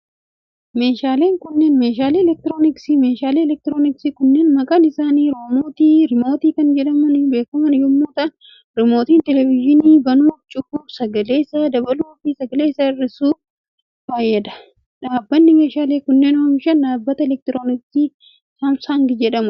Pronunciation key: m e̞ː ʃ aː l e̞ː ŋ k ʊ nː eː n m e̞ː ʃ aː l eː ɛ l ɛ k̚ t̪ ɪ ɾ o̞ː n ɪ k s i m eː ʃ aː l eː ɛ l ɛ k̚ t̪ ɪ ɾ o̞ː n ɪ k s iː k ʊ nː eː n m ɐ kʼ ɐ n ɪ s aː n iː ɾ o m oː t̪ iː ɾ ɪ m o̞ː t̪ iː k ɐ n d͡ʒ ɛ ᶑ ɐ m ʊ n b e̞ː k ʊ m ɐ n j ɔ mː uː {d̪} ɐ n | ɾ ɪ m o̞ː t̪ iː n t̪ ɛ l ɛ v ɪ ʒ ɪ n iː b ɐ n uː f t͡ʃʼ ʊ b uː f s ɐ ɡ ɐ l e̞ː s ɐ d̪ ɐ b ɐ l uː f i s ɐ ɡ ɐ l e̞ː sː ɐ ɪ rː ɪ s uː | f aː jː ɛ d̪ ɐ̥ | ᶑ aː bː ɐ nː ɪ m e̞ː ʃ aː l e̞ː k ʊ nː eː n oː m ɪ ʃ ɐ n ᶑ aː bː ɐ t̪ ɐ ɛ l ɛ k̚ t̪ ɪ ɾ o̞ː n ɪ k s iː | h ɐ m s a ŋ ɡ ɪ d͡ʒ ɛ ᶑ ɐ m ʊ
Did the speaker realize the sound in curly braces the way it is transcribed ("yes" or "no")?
no